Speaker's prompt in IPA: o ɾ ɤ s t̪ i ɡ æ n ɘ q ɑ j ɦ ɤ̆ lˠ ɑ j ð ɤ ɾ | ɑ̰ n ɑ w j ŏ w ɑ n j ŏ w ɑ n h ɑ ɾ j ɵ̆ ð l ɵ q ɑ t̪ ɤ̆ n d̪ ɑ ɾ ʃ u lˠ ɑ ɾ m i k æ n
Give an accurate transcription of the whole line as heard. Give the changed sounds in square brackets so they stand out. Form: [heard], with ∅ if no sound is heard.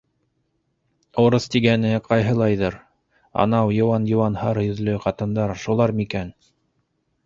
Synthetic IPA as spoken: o ɾ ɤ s t̪ i ɡ æ n ɘ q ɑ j ɦ ɤ̆ lˠ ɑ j ð ɤ ɾ | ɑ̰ n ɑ w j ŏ w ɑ n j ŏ w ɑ n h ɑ ɾ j ɵ̆ ð l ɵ q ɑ t̪ ɤ̆ n d̪ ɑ ɾ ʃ u lˠ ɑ ɾ m i k æ n